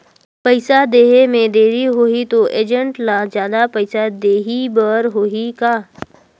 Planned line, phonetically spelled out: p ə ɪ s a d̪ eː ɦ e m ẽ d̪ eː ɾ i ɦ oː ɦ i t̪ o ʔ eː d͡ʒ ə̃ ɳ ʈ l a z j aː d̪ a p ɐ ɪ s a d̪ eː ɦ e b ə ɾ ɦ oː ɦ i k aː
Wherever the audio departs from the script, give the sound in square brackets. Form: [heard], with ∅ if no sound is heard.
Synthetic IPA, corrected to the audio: p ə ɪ s a d̪ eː ɦ e m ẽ d̪ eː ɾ i ɦ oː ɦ i t̪ o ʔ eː d͡ʒ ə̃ ɳ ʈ l a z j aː d̪ a p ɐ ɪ s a d̪ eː ɦ [i] b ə ɾ ɦ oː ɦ i k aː